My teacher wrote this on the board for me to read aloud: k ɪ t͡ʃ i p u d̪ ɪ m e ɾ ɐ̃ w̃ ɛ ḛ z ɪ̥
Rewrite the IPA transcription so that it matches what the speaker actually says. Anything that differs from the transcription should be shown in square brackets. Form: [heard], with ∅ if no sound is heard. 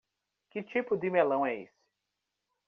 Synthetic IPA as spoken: k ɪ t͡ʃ i p [ʊ] d̪ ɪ m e [l] ɐ̃ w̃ ɛ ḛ [s] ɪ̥